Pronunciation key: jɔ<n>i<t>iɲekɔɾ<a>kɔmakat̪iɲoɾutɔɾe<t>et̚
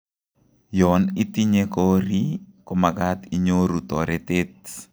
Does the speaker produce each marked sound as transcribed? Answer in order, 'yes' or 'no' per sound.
yes, yes, no, yes

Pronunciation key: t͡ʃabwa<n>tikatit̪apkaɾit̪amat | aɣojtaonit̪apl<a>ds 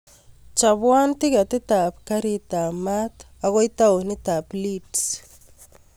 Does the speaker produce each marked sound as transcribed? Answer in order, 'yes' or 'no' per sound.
yes, no

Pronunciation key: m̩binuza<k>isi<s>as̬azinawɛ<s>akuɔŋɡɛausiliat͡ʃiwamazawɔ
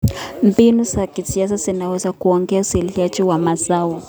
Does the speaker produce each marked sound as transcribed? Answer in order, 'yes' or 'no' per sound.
yes, no, no

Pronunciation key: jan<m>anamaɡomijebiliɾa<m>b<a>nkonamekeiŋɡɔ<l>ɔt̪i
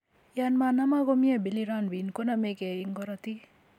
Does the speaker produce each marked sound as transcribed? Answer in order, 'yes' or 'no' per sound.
yes, no, no, no

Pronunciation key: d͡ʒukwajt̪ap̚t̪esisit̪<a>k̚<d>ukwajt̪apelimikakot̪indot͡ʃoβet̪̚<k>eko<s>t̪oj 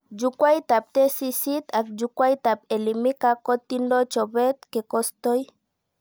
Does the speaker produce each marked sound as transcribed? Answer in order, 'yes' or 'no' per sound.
yes, no, yes, yes

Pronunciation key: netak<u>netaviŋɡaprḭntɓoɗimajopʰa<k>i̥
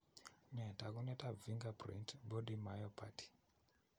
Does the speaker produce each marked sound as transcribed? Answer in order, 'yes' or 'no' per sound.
yes, no

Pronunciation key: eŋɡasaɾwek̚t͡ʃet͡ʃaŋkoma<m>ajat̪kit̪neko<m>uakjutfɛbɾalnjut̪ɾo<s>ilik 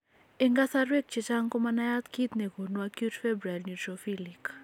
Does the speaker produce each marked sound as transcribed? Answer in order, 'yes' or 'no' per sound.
no, no, no

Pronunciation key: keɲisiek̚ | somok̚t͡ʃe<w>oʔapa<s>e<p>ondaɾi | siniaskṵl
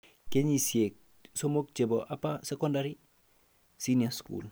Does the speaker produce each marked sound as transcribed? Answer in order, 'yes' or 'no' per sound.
no, yes, no

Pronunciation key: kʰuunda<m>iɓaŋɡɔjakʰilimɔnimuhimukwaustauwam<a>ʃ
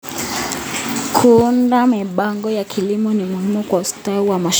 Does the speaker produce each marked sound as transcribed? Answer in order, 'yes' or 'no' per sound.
yes, yes

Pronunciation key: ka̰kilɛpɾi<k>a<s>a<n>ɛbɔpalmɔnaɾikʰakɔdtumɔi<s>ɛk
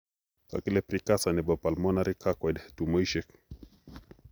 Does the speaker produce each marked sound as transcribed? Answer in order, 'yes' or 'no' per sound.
yes, yes, yes, no

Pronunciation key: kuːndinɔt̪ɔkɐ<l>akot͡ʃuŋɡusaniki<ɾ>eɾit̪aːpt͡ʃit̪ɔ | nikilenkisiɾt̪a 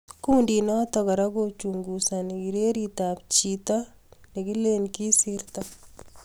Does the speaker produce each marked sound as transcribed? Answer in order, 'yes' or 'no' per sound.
no, yes

